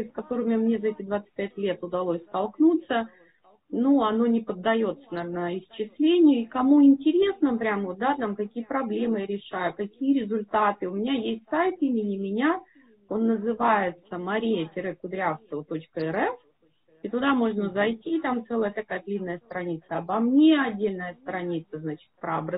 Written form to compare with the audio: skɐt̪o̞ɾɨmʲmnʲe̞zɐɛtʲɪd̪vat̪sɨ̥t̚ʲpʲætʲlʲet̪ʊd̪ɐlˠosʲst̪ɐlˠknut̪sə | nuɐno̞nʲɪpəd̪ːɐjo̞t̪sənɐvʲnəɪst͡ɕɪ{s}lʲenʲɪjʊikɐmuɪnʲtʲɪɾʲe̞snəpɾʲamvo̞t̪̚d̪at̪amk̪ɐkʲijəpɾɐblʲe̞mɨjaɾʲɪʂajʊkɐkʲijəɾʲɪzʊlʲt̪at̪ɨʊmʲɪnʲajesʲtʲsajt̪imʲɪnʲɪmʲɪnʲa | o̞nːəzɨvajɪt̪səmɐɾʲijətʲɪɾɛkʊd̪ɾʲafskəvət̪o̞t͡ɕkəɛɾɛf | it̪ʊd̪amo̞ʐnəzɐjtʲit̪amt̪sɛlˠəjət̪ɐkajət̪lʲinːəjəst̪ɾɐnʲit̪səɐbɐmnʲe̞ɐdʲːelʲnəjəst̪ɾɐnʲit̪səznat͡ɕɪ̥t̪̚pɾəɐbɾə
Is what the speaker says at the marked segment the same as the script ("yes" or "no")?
yes